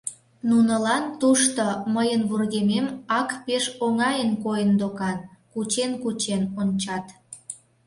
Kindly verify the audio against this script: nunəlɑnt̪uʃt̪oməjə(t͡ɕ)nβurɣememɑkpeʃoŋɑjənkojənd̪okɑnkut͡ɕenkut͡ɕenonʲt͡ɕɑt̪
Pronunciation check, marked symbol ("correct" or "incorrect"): incorrect